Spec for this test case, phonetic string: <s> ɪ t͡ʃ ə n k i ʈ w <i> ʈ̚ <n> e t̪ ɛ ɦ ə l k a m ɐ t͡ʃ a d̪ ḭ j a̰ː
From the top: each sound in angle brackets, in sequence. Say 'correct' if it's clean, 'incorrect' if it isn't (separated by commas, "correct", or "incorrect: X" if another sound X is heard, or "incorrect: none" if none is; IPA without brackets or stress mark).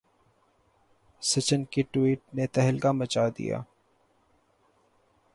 correct, incorrect: iː, correct